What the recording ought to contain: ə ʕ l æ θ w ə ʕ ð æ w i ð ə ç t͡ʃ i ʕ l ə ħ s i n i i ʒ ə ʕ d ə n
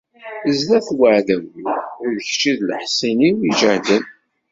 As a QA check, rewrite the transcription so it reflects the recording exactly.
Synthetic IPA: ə z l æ θ w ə ʕ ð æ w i ð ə ç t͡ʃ i ð l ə ħ s i n i i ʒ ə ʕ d ə n